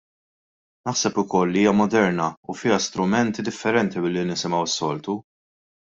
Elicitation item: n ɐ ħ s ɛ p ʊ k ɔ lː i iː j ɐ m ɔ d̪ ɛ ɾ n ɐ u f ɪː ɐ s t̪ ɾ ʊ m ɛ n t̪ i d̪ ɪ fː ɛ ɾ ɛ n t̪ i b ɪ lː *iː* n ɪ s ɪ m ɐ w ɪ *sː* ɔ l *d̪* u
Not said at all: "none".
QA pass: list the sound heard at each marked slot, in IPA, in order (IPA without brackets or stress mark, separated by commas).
i, sː, t̪